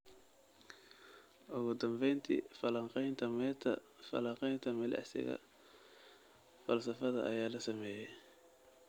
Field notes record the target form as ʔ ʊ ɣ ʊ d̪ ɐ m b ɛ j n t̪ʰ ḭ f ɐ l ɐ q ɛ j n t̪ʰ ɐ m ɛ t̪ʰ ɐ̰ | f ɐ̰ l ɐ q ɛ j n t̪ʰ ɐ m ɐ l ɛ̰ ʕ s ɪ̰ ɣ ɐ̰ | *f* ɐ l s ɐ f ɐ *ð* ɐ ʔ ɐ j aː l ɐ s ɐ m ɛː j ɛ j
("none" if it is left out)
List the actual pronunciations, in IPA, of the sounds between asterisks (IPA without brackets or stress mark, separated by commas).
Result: f, ð